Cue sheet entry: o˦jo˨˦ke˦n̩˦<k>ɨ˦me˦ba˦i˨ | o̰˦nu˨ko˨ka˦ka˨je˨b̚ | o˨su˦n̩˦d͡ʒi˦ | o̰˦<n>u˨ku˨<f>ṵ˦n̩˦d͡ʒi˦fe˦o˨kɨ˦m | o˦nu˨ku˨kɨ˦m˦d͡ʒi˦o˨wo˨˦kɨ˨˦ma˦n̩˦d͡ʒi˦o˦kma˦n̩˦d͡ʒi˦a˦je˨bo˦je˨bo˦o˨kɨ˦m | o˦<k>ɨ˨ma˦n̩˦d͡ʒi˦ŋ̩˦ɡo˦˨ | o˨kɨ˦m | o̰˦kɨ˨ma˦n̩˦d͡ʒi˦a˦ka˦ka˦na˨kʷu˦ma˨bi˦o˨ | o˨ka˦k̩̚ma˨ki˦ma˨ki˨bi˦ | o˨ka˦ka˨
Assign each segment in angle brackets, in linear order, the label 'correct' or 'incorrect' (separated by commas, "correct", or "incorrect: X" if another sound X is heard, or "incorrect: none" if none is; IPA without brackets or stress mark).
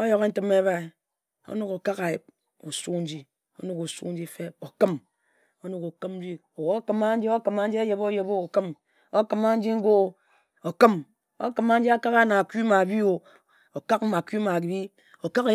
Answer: incorrect: t, correct, incorrect: s, correct